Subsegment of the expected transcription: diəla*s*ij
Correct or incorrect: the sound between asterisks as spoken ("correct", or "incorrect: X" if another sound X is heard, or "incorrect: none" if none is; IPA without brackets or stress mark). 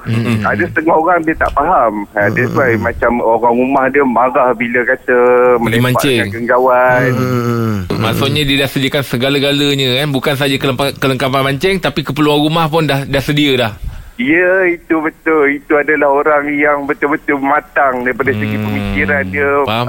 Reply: incorrect: h